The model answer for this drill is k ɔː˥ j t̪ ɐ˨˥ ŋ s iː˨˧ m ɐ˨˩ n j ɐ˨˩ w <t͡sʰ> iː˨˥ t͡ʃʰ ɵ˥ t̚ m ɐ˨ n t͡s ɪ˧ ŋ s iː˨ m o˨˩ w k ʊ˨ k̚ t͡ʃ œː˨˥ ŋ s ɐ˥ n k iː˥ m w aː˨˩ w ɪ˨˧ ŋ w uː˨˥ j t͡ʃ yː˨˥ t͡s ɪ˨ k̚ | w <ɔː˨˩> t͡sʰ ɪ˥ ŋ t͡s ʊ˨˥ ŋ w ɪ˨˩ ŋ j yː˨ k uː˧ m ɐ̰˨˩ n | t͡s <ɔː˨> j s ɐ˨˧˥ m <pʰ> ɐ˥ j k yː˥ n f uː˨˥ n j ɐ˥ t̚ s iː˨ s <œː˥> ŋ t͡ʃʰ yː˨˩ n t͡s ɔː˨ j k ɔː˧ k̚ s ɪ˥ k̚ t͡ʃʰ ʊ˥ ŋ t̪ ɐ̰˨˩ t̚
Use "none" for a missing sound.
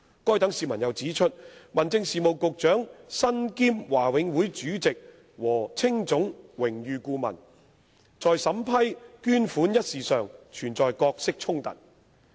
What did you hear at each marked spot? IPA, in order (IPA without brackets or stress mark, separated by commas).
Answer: t͡s, ɔː˨˩, ɔː˨, pʰ, œː˨